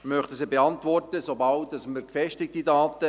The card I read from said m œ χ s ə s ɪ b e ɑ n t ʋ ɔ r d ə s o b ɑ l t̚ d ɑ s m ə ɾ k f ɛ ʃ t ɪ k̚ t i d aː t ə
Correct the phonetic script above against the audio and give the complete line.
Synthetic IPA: m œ χ t ə s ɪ b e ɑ n t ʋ ɔ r t ə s o b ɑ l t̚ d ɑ s m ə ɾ k f ɛ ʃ t ɪ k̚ t i d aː t ə